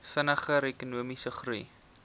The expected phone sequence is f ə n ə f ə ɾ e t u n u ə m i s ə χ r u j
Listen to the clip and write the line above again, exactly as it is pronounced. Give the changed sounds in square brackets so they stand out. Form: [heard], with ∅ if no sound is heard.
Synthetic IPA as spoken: f ə n ə [χ] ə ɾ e [k] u n u ə m i s ə χ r u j